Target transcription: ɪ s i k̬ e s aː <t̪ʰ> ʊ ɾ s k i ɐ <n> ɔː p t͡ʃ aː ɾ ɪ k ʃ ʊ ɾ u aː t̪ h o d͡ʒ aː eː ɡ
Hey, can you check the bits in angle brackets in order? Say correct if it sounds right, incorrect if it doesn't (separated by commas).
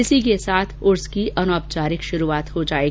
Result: correct, correct